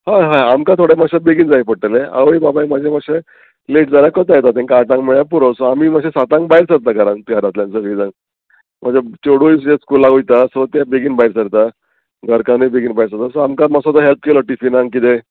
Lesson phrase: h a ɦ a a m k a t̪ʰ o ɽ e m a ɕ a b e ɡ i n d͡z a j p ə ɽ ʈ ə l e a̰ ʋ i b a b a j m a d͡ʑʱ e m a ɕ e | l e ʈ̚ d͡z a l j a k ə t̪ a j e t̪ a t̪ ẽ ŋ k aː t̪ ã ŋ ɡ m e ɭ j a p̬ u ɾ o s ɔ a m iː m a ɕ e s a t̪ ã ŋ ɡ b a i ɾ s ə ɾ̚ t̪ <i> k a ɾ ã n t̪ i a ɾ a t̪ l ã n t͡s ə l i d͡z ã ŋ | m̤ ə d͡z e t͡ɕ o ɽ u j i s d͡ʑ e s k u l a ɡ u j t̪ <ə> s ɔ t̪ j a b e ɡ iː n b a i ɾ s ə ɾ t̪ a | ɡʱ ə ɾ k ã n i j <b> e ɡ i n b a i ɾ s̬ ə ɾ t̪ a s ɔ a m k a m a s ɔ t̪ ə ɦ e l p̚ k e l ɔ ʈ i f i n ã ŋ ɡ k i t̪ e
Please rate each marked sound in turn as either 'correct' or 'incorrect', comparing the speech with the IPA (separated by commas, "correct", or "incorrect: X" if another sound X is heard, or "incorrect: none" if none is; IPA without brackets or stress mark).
incorrect: a, incorrect: a, correct